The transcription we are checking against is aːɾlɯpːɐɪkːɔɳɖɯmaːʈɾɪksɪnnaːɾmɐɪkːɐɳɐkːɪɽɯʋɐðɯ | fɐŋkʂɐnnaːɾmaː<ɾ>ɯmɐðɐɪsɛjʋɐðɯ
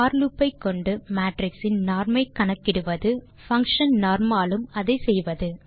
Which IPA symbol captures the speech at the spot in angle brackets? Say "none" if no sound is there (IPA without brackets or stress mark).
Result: l